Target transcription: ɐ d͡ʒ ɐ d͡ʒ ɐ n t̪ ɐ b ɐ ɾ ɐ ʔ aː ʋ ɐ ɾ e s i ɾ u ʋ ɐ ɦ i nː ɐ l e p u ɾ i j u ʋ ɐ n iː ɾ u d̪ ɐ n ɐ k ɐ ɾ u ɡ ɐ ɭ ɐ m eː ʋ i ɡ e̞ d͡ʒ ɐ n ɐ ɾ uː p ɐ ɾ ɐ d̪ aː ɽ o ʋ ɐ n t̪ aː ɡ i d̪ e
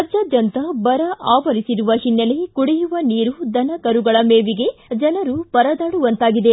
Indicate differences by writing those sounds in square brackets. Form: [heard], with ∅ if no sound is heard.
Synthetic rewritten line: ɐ d͡ʒ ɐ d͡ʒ ɐ n t̪ ɐ b ɐ ɾ ɐ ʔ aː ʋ ɐ ɾ [i] s i ɾ u ʋ ɐ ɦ i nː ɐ l e [k] u [ɽ] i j u ʋ ɐ n iː ɾ u d̪ ɐ n ɐ k ɐ ɾ u ɡ ɐ ɭ ɐ m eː ʋ i ɡ e̞ d͡ʒ ɐ n ɐ ɾ [u] p ɐ ɾ ɐ d̪ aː ɽ [u] ʋ ɐ n t̪ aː ɡ i d̪ e